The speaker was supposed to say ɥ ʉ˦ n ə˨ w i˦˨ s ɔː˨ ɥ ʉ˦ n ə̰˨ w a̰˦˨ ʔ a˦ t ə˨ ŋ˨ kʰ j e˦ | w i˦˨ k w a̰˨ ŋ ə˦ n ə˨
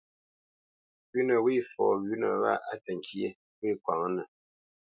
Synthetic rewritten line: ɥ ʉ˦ n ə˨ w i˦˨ f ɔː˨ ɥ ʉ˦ n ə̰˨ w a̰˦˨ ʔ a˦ t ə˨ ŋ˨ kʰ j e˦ | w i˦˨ k w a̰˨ ŋ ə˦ n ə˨